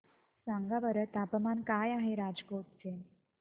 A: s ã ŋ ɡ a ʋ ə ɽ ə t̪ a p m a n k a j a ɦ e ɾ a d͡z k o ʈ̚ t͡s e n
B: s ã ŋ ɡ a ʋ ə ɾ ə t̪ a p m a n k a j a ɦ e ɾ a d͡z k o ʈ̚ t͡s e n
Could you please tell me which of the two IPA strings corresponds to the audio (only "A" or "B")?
B